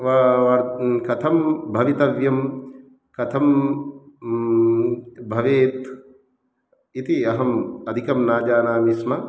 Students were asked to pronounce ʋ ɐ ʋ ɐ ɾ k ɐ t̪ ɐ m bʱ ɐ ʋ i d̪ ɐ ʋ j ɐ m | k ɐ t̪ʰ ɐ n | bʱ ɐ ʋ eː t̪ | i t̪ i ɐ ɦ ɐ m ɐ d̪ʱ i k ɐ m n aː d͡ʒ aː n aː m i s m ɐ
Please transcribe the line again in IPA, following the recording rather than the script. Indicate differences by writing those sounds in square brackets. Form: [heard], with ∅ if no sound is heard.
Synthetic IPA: ʋ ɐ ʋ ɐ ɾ k ɐ [t̪ʰ] ɐ m bʱ ɐ ʋ i [t̪] ɐ ʋ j ɐ m | k ɐ t̪ʰ ɐ [m] | bʱ ɐ ʋ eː t̪ | i t̪ i ɐ ɦ ɐ m ɐ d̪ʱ i k ɐ m n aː d͡ʒ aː n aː m i s m ɐ